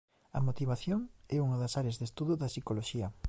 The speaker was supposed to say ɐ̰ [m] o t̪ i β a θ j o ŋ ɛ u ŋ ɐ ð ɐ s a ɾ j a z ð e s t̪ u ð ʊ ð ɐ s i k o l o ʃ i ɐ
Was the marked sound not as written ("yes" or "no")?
no